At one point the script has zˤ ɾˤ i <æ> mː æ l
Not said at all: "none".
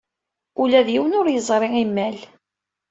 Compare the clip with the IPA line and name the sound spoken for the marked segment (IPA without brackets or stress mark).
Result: i